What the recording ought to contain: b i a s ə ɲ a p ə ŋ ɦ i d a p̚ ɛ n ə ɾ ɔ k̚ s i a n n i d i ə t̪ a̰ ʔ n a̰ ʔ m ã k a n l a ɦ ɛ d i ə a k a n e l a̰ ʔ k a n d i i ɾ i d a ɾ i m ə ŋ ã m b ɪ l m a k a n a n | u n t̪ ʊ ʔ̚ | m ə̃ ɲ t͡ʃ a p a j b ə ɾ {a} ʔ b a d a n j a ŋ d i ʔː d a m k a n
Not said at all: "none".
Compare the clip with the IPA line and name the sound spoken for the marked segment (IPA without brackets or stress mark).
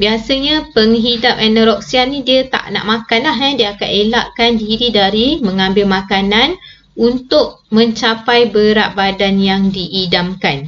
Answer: a